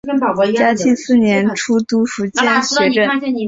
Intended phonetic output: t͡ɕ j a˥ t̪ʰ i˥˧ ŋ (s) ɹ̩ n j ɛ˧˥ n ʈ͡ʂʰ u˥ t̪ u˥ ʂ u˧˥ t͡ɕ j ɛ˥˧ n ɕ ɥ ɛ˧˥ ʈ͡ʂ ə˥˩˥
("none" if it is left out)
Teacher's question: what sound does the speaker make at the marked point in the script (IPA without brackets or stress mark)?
s